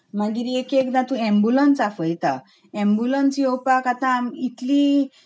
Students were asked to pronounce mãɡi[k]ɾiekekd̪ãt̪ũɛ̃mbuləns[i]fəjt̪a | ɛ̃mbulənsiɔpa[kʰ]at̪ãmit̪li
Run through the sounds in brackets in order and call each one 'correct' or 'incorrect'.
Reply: incorrect: none, incorrect: a, incorrect: k

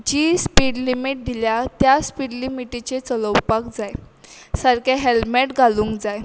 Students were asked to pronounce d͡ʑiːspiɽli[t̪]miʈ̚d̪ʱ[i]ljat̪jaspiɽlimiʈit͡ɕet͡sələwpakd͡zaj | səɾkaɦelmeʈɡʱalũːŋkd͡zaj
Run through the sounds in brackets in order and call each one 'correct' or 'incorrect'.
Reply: incorrect: none, correct

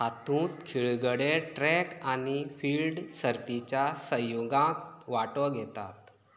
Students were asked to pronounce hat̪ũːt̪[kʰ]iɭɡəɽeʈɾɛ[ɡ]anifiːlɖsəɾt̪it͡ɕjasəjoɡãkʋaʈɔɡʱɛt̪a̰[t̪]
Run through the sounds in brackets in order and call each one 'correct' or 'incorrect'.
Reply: correct, incorrect: k, correct

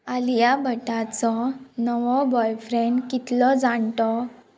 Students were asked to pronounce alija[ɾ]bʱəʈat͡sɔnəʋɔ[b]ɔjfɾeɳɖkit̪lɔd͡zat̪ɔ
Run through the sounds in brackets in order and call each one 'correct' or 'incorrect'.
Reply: incorrect: none, correct

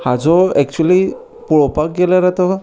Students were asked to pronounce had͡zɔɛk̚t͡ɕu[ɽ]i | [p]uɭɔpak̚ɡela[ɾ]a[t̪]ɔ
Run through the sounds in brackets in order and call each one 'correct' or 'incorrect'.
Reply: incorrect: l, correct, correct, correct

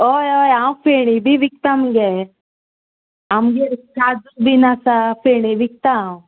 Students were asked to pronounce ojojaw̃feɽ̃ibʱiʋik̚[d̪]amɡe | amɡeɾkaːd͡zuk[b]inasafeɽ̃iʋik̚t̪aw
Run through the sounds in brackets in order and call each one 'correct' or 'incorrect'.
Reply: incorrect: t̪, correct

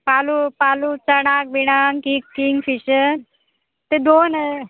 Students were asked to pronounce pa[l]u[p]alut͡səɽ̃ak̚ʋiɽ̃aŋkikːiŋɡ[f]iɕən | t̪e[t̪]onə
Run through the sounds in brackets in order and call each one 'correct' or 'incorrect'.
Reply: correct, correct, correct, incorrect: d̪

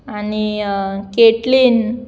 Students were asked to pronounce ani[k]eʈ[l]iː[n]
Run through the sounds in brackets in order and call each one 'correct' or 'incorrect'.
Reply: correct, correct, correct

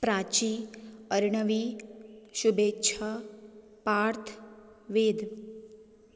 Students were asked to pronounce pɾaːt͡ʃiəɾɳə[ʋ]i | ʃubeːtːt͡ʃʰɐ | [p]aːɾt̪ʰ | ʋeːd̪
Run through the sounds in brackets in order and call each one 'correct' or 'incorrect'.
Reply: correct, correct

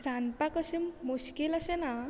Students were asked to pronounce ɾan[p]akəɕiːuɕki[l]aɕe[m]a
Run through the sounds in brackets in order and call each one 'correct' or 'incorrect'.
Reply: correct, correct, incorrect: n

